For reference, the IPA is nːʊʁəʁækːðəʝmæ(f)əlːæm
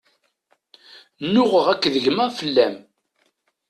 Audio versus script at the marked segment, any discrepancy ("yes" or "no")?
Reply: no